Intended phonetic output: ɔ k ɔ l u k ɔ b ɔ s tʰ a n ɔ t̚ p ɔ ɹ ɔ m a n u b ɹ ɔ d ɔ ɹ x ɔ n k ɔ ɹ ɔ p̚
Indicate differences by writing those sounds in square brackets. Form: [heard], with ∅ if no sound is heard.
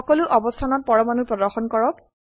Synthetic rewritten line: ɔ k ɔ l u [ʔ] ɔ b ɔ s tʰ a n ɔ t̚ p ɔ ɹ ɔ m a n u [p] ɹ ɔ d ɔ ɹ x ɔ n k ɔ ɹ ɔ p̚